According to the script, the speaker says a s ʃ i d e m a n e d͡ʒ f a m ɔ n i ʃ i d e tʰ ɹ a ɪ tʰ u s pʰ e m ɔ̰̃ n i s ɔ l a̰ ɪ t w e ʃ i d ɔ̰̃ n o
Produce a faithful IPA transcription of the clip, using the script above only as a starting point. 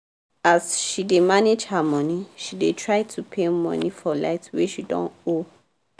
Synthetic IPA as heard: a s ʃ i d e m a n e d͡ʒ h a m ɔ n i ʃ i d e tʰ ɹ a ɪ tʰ u pʰ e m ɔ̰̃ n i f ɔ l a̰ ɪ t w e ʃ i d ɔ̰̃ n o